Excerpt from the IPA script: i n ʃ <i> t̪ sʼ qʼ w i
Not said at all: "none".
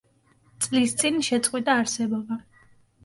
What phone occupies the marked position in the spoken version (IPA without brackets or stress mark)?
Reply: ɛ